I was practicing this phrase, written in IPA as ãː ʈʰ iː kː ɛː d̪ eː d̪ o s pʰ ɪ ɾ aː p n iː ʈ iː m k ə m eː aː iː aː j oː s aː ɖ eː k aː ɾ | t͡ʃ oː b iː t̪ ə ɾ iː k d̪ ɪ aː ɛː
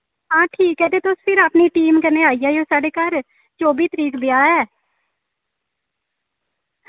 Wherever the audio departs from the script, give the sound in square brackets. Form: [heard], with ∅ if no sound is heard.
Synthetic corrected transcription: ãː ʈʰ iː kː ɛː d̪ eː [t̪] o s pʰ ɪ ɾ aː p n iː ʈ iː m k ə [n] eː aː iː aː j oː s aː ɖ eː k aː ɾ | t͡ʃ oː b iː t̪ ə ɾ iː k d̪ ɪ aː ɛː

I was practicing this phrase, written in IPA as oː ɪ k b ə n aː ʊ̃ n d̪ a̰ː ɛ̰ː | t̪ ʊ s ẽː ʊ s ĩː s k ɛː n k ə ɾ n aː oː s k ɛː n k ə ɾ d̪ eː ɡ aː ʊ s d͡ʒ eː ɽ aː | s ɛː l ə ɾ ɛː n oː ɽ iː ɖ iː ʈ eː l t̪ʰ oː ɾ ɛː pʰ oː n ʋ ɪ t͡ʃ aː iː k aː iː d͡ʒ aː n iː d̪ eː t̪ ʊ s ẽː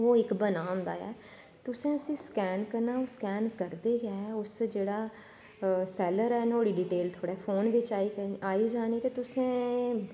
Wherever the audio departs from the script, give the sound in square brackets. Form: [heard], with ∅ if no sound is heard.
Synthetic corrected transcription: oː ɪ k b ə n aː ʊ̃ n d̪ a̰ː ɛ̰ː | t̪ ʊ s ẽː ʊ s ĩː s k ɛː n k ə ɾ n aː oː s k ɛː n k ə ɾ d̪ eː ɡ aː ʊ s d͡ʒ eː ɽ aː | s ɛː l ə ɾ ɛː n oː ɽ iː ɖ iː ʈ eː l t̪ʰ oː [ɽ] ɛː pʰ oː n ʋ ɪ t͡ʃ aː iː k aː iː d͡ʒ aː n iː [t̪] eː t̪ ʊ s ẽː

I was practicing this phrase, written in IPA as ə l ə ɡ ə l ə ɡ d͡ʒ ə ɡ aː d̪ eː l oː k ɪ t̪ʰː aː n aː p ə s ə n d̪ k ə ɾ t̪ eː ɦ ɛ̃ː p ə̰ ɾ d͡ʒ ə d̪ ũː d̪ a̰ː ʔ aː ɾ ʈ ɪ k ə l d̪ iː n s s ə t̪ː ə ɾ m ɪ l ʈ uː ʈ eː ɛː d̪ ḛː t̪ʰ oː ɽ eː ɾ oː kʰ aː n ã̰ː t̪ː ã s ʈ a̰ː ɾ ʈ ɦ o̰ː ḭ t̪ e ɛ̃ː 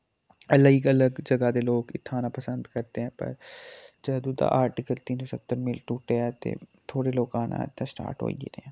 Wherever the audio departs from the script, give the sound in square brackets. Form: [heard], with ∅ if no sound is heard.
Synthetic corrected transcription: ə l ə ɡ ə l ə ɡ d͡ʒ ə ɡ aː d̪ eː l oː k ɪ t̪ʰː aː n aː p ə s ə n d̪ k ə ɾ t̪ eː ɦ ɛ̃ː p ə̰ ɾ d͡ʒ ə d̪ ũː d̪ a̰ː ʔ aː ɾ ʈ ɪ k ə l [t̪] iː n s s ə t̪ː ə ɾ m ɪ l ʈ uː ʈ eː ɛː [t̪] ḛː t̪ʰ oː ɽ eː [l] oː [k] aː n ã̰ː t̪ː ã s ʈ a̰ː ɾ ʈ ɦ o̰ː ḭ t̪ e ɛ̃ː

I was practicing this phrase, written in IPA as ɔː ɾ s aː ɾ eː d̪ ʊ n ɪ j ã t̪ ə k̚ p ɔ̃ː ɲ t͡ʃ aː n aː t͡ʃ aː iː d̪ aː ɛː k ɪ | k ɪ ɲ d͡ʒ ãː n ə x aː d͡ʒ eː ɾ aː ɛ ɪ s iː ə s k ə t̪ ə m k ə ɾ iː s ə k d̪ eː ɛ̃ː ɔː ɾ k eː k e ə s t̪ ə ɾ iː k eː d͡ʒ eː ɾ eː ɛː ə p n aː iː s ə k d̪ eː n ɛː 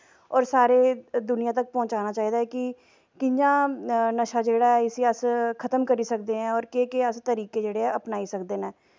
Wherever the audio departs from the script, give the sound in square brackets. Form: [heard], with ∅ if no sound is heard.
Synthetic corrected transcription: ɔː ɾ s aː ɾ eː d̪ ʊ n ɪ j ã t̪ ə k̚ p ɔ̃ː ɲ t͡ʃ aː n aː t͡ʃ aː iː d̪ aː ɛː k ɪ | k ɪ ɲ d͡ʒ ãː n ə [ʃ] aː d͡ʒ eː [ɽ] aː ɛ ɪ s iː ə s [kʰ] ə t̪ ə m k ə ɾ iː s ə k d̪ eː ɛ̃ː ɔː ɾ k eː k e ə s t̪ ə ɾ iː k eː d͡ʒ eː [ɽ] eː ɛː ə p n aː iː s ə k d̪ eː n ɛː

